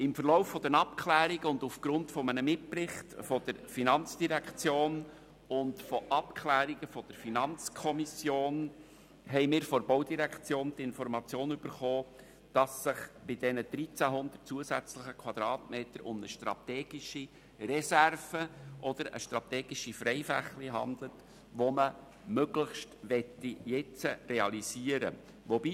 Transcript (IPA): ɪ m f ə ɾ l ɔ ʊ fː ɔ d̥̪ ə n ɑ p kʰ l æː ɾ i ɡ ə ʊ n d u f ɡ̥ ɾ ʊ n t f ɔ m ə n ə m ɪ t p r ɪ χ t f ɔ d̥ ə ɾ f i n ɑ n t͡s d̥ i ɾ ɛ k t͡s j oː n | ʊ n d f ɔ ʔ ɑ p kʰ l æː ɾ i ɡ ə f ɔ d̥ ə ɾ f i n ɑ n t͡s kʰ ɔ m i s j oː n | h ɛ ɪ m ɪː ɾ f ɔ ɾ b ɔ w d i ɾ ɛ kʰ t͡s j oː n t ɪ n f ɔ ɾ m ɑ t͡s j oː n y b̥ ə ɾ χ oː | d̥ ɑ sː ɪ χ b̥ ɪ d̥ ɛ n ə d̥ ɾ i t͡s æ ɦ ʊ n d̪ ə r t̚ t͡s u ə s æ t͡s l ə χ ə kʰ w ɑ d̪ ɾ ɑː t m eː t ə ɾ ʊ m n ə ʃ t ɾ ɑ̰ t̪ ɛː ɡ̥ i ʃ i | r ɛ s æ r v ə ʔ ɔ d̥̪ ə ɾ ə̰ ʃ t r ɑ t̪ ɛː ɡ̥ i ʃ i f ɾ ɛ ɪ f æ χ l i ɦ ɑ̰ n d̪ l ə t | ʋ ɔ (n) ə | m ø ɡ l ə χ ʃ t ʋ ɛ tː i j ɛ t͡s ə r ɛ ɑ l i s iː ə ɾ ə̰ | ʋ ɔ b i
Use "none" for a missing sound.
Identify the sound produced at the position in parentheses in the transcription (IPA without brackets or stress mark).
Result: m